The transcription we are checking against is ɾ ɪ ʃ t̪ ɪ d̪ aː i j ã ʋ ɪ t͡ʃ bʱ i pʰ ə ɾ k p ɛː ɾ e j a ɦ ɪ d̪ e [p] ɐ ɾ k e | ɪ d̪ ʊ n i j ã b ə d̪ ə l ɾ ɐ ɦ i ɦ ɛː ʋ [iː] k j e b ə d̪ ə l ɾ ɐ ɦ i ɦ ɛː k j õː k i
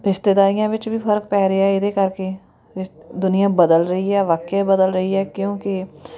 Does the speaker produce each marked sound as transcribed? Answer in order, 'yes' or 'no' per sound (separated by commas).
no, no